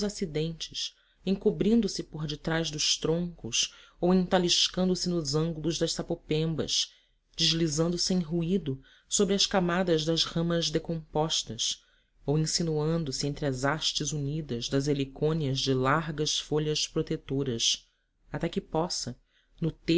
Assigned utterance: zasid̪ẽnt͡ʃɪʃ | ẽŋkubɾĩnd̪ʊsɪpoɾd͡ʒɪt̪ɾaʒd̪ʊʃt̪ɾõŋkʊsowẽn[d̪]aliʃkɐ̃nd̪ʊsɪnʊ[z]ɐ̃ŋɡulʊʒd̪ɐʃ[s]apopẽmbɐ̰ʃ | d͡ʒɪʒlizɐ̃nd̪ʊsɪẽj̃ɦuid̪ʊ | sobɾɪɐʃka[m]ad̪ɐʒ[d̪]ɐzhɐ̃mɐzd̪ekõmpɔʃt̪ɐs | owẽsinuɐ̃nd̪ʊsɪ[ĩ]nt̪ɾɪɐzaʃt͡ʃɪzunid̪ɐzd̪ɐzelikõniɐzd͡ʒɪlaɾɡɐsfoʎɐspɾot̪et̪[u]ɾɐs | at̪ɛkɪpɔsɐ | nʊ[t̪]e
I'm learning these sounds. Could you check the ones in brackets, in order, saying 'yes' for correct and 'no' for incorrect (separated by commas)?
no, yes, yes, yes, yes, no, no, yes